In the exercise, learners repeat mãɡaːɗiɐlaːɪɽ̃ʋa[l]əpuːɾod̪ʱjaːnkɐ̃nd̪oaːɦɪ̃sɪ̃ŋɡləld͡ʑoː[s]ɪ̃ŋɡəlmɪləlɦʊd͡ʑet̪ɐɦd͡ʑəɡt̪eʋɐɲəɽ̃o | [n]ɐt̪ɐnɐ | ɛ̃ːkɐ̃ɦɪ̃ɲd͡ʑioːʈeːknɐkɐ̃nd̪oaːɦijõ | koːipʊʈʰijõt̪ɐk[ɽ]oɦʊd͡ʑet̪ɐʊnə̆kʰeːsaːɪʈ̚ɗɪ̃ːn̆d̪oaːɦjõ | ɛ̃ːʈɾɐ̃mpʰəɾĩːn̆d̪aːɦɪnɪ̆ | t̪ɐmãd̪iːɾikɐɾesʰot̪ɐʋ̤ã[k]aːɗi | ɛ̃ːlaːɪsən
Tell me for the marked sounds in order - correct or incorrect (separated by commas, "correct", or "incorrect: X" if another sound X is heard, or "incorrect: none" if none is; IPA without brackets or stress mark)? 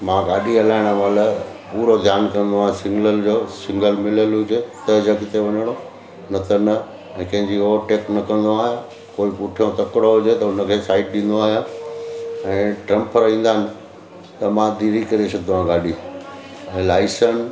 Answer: correct, correct, correct, correct, incorrect: ɡ